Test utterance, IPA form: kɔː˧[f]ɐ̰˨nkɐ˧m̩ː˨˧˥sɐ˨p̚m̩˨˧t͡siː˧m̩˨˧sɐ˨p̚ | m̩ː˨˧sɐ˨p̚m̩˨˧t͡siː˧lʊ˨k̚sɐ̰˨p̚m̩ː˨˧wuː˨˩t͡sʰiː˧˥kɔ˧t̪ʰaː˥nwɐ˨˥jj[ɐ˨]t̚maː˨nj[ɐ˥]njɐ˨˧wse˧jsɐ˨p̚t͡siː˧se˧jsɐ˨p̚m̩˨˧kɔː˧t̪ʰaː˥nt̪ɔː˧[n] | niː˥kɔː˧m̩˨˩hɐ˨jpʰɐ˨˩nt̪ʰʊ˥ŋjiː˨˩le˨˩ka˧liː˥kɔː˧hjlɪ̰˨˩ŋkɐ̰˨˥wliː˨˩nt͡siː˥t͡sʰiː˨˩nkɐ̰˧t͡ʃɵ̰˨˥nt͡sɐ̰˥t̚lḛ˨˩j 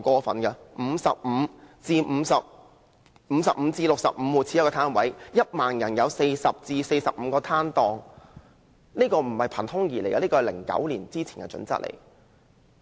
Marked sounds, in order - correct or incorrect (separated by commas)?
correct, incorrect, incorrect, incorrect